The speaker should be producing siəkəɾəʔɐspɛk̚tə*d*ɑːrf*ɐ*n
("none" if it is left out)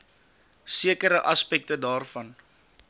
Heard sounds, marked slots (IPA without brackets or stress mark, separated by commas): d, ɐ